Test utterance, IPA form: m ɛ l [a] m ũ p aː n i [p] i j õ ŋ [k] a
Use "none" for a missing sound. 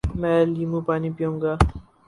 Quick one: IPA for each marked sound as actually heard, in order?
i, p, ɡ

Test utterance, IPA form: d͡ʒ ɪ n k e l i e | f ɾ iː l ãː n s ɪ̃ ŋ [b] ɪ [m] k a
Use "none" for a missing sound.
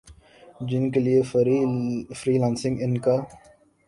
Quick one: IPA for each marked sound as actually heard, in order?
ɡ, n

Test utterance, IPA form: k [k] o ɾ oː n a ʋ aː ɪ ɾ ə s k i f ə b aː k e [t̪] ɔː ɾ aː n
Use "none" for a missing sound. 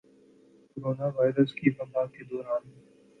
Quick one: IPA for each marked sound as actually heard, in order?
k, d̪

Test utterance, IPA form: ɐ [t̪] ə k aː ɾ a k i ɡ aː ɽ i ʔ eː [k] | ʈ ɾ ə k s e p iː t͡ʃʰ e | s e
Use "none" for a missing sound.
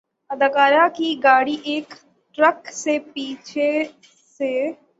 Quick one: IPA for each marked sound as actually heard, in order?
d̪, k

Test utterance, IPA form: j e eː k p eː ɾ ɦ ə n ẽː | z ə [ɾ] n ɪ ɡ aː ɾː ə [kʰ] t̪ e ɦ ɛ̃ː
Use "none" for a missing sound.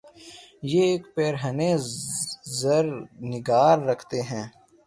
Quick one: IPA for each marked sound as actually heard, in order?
ɾ, kʰ

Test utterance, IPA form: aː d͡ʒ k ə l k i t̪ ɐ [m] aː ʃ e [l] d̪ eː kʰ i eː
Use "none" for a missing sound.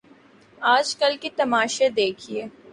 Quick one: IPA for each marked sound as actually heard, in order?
m, none

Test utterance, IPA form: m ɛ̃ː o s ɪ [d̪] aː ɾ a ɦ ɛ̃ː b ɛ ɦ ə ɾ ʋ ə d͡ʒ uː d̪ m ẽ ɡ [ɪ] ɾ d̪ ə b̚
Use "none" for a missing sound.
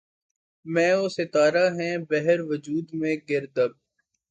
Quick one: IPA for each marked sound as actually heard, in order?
t̪, ɪ

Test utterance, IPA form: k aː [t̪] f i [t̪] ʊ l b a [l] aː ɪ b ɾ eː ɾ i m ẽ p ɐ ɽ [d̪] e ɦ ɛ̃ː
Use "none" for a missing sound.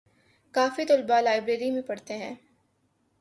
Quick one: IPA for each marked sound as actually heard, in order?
none, t̪, l, t̪

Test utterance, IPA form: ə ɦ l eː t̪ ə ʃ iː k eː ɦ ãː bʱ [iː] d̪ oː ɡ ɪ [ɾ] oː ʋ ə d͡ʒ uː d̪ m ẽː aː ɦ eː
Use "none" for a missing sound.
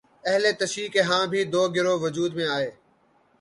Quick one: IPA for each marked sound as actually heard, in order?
iː, ɾ

